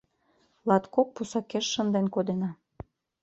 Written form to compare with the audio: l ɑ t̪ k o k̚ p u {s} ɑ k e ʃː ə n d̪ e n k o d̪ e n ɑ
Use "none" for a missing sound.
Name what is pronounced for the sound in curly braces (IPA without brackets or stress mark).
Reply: s